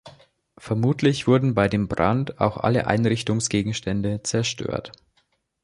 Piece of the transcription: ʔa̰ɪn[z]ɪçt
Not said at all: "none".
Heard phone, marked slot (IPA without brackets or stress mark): ʁ